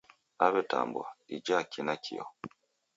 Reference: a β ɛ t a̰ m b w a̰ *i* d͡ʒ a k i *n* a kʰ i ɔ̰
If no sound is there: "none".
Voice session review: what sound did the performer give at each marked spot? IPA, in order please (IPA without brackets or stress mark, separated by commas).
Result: i, n